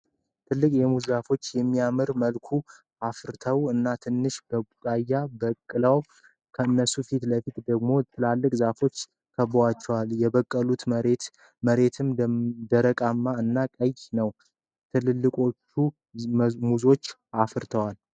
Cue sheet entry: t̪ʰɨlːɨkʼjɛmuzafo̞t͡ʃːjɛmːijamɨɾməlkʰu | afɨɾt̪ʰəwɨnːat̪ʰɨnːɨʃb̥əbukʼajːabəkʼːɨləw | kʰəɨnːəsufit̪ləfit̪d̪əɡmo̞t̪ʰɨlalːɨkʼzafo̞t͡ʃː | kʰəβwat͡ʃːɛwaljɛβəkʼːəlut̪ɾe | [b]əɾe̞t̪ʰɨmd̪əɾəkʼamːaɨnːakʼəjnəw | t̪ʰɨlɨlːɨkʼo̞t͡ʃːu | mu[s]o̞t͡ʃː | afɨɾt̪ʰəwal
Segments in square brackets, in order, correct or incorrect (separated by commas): incorrect, incorrect